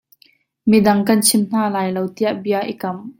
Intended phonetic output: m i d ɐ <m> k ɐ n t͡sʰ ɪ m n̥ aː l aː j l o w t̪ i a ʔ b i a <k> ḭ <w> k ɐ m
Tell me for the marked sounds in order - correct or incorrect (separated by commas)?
incorrect, incorrect, incorrect